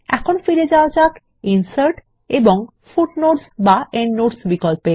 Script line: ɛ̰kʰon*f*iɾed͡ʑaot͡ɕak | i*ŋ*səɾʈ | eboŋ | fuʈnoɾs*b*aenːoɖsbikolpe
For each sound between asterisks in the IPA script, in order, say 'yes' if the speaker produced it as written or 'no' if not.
yes, no, yes

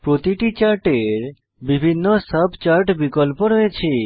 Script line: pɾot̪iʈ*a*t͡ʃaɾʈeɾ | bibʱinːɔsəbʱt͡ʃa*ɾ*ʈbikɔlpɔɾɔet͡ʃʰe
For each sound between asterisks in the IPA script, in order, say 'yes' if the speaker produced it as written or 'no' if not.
no, yes

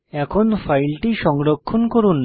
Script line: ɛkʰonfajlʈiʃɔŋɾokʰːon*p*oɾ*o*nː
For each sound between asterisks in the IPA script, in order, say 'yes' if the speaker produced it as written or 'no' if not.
no, no

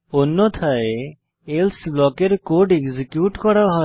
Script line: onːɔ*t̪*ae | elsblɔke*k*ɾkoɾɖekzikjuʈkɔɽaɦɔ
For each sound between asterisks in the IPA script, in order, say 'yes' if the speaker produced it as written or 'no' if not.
no, no

